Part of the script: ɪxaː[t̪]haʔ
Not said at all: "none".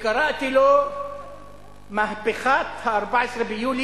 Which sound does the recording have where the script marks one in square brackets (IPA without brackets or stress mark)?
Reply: t̪